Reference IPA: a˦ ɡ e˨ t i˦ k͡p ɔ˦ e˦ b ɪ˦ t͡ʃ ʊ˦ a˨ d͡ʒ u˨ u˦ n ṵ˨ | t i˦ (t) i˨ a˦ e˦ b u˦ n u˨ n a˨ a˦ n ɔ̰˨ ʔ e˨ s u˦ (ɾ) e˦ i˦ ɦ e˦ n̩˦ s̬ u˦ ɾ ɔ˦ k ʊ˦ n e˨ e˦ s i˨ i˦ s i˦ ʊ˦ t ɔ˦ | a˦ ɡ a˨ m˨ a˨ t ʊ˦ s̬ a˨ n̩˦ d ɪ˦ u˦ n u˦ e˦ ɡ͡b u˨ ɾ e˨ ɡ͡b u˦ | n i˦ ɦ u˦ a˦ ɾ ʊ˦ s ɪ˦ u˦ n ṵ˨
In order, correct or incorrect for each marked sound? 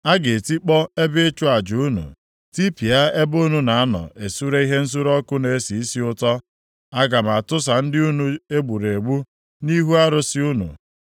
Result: incorrect, correct

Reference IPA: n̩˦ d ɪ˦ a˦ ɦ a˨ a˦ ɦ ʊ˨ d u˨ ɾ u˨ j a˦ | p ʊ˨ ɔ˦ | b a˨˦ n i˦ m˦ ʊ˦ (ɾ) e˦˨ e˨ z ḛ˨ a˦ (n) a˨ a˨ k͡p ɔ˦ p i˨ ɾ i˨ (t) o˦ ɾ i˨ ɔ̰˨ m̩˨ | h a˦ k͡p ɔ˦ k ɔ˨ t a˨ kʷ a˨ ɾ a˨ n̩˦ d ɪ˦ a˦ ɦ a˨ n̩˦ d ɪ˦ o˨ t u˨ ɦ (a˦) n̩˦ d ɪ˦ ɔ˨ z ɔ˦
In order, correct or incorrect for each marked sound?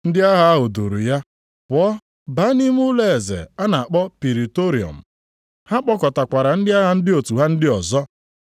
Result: incorrect, correct, correct, correct

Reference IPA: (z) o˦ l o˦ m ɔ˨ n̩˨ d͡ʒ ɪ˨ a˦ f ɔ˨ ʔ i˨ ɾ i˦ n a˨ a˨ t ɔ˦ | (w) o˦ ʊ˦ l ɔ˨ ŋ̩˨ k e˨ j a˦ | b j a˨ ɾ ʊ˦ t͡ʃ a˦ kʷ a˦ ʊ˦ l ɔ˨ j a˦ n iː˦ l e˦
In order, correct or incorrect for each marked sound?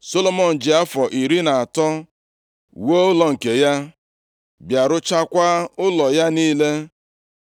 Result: incorrect, correct

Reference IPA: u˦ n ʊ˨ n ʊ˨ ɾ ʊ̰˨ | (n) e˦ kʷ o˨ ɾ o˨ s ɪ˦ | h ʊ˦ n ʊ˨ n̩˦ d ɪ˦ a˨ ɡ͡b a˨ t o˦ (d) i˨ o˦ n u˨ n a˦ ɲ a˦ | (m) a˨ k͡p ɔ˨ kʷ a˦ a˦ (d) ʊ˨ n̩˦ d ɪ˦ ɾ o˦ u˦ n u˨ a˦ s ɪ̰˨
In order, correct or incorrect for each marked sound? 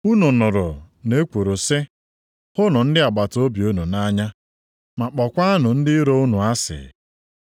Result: correct, incorrect, correct, incorrect

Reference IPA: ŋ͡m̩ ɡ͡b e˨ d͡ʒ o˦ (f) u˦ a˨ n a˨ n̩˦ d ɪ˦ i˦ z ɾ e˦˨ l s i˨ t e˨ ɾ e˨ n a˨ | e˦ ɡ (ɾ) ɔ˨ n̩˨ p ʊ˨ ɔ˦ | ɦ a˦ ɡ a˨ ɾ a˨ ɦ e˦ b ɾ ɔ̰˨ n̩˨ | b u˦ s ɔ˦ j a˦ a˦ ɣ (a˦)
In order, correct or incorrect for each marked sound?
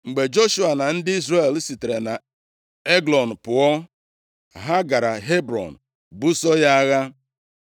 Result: incorrect, incorrect, correct

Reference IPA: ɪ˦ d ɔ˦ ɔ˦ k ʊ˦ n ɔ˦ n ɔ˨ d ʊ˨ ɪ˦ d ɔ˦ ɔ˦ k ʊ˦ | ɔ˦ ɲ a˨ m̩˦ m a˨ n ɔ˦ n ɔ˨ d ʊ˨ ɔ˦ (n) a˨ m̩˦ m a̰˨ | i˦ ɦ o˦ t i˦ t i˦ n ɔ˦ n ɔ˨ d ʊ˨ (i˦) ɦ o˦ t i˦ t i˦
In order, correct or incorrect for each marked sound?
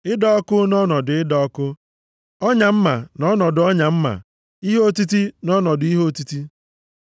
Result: incorrect, correct

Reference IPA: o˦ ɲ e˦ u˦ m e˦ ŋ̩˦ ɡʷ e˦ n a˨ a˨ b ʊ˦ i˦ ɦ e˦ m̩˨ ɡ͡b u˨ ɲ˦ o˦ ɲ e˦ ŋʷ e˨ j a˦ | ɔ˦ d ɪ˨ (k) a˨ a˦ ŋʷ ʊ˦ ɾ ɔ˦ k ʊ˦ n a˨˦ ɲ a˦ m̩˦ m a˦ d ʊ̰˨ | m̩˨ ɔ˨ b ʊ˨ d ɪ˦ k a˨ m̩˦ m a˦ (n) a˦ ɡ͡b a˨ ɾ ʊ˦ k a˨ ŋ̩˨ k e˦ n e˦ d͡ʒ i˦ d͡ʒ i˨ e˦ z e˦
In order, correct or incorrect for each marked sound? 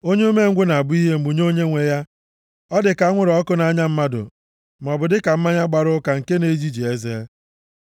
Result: correct, incorrect

